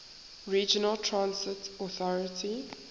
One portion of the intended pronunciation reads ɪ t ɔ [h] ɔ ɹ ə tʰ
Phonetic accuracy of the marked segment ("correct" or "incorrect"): incorrect